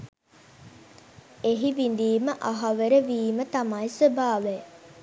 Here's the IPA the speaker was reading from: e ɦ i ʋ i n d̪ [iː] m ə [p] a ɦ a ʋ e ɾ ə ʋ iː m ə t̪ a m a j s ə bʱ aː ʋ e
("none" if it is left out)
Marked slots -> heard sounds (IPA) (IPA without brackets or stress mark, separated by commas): iː, ʔ